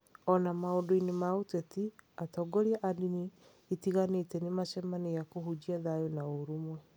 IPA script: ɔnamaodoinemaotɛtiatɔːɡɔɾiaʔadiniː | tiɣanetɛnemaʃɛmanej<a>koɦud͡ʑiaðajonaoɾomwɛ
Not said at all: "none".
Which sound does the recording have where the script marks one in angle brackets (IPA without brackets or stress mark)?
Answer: a